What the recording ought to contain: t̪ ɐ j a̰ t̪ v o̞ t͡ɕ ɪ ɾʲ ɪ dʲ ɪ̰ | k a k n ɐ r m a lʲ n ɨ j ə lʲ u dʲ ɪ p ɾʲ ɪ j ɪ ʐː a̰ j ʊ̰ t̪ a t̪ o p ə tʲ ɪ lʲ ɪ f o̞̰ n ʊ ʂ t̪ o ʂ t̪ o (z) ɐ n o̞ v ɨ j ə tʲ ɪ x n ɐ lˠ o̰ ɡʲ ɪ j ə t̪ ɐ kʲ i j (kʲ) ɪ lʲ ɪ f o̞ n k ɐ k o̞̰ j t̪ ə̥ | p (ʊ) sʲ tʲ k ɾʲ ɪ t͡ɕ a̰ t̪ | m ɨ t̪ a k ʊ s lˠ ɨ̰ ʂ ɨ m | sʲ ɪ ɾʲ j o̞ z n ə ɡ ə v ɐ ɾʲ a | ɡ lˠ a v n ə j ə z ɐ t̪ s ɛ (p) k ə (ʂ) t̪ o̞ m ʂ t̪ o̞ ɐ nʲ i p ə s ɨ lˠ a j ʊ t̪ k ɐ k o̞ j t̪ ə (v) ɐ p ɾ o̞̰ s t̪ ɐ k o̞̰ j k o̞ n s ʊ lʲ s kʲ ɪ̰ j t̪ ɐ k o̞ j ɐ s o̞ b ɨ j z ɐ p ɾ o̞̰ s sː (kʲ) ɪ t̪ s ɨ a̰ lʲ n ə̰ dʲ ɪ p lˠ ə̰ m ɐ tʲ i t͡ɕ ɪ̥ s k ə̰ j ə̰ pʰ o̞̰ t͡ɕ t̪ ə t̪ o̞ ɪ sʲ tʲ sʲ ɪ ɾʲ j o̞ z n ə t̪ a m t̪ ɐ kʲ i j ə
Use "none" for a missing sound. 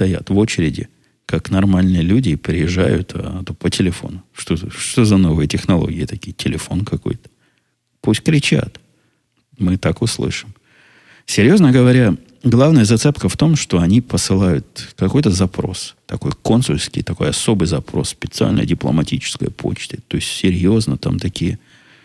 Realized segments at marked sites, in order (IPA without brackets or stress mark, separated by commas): z, tʲ, u, p, f, z, pʲ